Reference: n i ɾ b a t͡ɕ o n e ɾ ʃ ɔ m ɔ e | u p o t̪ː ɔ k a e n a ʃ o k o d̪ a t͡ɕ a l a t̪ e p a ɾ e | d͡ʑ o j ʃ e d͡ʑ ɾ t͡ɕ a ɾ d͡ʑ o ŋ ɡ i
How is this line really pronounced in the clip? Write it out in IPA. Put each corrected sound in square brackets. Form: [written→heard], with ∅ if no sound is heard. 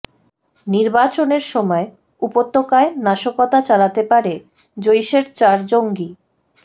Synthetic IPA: n i ɾ b a t͡ɕ o n e ɾ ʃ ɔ m ɔ e | u p o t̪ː [ɔ→o] k a e n a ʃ o k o [d̪→t̪] a t͡ɕ a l a t̪ e p a ɾ e | d͡ʑ o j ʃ e [d͡ʑ→∅] ɾ t͡ɕ a ɾ d͡ʑ o ŋ ɡ i